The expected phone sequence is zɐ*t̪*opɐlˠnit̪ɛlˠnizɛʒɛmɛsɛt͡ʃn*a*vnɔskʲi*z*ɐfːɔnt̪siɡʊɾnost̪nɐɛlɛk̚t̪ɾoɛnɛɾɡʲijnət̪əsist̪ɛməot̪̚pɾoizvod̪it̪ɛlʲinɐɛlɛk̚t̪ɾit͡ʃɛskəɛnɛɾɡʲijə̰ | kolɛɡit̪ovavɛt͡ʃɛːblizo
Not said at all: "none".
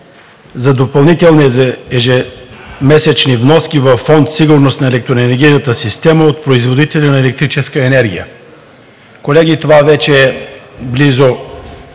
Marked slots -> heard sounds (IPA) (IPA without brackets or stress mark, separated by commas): d̪, i, v